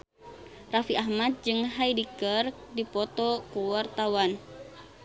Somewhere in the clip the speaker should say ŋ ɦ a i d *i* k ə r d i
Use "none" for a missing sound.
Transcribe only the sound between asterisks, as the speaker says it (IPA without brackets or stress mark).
i